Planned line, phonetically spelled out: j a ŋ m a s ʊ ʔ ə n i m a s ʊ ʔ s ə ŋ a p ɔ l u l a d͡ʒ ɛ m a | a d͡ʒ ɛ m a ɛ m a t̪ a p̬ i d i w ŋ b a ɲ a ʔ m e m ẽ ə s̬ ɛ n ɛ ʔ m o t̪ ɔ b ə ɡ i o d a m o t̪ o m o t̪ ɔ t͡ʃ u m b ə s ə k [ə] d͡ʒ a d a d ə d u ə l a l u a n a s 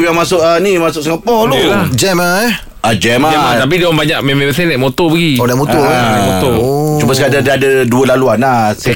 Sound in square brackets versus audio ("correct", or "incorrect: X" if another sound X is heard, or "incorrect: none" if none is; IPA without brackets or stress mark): incorrect: a